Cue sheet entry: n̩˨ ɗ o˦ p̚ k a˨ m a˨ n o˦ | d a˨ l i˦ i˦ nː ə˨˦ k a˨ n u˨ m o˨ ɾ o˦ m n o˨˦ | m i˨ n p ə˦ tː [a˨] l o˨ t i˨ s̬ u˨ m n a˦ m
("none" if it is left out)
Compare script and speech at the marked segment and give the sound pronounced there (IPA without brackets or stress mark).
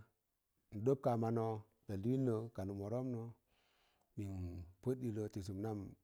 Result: i˨